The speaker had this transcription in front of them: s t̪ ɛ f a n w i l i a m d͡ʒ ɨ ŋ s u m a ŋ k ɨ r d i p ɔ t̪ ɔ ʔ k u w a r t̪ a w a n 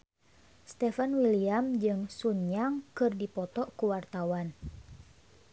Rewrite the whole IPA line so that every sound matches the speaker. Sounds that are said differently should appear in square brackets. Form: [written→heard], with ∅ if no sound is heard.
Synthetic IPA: s t̪ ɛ f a n w i l i a m d͡ʒ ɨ ŋ s u [m→ɲ] a ŋ k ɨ r d i p ɔ t̪ ɔ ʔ k u w a r t̪ a w a n